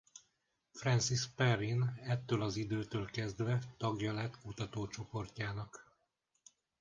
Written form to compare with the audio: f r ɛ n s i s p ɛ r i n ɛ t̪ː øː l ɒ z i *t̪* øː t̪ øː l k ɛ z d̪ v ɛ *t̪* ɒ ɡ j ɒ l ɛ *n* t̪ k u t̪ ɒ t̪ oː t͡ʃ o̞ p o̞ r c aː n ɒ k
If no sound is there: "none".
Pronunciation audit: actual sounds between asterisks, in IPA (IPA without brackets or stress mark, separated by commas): d̪, t̪, none